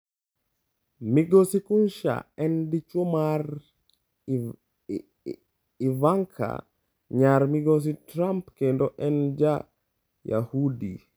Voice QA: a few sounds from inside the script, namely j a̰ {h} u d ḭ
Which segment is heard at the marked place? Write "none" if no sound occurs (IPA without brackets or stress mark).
h